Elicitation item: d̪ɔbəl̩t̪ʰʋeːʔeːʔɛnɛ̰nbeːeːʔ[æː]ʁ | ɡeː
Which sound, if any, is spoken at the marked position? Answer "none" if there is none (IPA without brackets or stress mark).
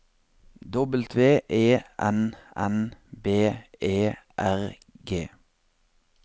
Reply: æ